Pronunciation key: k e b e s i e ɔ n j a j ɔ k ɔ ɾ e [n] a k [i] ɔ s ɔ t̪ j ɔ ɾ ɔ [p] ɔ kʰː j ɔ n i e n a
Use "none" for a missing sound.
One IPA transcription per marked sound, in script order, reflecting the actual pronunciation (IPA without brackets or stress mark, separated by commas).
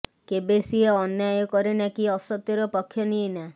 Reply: n, i, p